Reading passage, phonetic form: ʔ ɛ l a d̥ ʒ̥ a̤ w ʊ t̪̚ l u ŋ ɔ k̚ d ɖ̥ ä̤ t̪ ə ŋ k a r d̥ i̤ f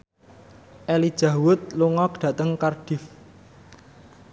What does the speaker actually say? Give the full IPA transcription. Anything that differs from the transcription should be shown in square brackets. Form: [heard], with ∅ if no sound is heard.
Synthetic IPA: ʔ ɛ l [i] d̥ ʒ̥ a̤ w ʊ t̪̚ l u ŋ ɔ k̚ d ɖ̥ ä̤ t̪ ə ŋ k a r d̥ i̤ f